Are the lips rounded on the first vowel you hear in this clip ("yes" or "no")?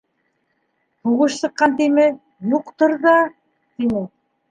yes